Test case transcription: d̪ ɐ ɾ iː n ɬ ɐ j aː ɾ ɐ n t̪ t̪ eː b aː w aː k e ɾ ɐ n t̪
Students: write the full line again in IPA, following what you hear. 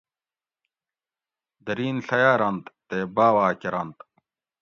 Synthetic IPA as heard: d̪ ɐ ɾ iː n ɬ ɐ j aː ɾ ɐ n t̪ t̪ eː b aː w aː k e ɾ ɐ n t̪